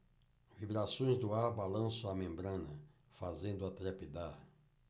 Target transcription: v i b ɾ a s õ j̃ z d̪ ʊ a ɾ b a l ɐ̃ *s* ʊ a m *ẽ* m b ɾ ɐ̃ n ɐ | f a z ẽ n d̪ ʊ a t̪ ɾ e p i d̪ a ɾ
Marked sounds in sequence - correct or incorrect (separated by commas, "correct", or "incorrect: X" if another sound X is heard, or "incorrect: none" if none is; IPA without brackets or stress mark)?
correct, correct